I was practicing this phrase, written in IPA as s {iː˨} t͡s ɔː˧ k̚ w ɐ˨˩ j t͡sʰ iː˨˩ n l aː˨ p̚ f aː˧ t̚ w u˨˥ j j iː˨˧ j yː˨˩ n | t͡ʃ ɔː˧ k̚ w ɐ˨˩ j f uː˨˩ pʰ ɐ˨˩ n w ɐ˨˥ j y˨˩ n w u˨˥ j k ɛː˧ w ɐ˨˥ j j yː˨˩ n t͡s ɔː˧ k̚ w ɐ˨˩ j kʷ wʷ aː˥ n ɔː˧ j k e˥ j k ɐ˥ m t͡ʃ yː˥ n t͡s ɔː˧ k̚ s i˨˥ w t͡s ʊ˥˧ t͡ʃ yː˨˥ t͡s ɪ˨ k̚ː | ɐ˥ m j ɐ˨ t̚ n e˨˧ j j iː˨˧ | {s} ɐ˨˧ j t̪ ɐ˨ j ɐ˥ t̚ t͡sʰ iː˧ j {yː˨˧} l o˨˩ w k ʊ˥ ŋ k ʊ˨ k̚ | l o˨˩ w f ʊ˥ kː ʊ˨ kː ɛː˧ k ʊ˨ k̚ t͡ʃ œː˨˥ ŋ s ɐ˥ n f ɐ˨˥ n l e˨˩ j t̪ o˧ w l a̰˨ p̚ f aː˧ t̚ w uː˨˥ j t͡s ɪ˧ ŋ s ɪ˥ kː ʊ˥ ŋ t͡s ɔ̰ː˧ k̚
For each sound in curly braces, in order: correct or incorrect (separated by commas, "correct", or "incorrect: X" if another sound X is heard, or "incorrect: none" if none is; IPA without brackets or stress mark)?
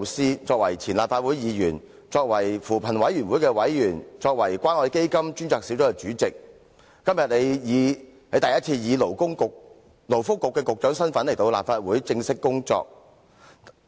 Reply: incorrect: iː˥, incorrect: h, incorrect: iː˨˧